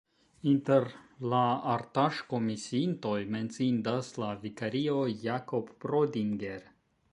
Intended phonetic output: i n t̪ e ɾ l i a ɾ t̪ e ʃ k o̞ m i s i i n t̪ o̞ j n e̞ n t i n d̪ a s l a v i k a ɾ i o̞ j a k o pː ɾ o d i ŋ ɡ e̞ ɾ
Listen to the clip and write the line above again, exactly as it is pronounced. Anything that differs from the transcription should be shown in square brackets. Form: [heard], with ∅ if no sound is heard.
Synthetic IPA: i n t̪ e ɾ l [a] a ɾ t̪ [a] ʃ k o̞ m i s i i n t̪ o̞ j [m] e̞ n [t͡s] i n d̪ a s l a v i k a ɾ i o̞ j a k o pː ɾ o d i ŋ ɡ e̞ ɾ